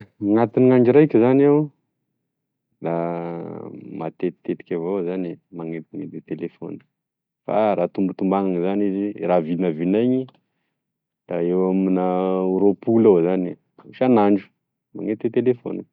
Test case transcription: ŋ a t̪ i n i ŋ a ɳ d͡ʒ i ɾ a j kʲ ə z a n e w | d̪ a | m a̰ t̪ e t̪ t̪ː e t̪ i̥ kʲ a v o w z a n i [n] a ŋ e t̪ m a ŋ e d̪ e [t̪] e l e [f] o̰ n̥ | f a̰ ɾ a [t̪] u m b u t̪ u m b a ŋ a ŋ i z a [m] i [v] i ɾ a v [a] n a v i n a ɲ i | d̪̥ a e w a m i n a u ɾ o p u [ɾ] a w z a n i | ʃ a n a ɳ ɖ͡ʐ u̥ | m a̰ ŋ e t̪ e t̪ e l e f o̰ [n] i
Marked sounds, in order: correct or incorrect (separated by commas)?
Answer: incorrect, correct, correct, correct, incorrect, incorrect, incorrect, incorrect, correct